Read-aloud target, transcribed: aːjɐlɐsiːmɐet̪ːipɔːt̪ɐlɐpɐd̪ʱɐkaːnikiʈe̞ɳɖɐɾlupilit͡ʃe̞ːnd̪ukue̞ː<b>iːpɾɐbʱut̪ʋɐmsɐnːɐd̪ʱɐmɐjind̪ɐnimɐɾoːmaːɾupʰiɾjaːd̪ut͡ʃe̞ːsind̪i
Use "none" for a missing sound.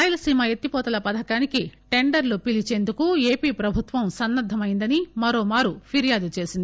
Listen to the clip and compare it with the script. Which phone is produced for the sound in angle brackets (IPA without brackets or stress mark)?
p